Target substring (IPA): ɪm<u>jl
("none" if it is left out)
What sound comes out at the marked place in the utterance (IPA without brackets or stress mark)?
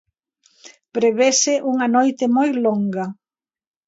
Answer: o